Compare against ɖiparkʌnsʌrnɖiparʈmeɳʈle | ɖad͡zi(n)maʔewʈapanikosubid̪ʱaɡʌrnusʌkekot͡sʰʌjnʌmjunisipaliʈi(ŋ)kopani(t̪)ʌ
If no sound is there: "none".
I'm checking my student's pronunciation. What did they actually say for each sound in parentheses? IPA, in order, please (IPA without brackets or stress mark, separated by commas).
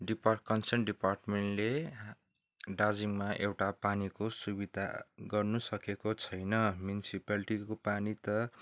ŋ, none, t̪